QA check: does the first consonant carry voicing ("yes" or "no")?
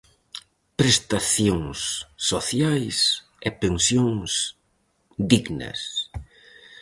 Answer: no